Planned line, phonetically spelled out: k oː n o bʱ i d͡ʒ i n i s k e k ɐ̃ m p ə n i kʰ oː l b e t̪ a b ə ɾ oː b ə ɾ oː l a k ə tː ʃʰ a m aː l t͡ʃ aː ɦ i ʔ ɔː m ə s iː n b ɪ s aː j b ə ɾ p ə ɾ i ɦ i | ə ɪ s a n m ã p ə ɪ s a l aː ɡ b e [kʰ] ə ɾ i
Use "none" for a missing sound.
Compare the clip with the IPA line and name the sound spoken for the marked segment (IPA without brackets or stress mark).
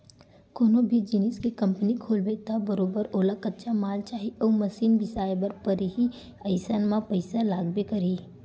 k